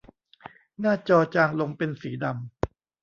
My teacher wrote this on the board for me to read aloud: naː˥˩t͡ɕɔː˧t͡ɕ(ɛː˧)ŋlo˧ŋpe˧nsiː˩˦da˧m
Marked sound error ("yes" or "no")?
yes